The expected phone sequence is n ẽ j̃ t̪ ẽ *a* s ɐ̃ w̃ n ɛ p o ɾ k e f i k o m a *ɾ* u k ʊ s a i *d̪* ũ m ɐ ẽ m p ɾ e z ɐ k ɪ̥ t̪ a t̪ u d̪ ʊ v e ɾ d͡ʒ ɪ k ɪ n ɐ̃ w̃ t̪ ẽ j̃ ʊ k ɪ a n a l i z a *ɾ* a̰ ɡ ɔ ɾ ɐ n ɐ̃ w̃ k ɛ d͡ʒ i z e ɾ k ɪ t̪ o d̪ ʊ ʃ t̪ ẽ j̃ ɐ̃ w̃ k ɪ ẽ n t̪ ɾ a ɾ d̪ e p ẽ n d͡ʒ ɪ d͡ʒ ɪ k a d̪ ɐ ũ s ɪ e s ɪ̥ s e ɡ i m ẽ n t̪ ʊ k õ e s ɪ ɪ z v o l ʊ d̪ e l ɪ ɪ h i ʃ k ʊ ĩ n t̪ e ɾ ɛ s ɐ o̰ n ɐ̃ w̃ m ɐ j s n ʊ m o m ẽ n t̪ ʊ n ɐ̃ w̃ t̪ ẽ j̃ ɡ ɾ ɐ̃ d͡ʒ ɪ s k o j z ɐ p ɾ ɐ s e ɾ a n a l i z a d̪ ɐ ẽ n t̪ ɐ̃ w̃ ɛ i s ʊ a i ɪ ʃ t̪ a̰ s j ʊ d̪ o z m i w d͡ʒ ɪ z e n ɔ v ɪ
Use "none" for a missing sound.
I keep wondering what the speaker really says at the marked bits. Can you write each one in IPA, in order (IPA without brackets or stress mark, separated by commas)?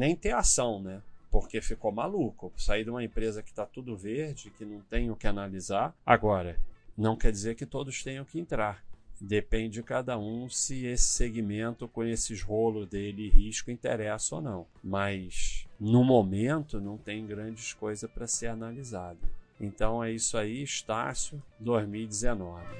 a, l, d̪, ɾ